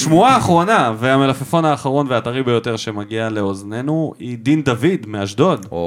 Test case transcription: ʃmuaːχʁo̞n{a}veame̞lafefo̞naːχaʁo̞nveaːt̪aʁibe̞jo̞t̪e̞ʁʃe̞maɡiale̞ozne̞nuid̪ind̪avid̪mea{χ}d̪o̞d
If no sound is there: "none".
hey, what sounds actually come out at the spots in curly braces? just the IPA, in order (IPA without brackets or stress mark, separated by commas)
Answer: a, ʃ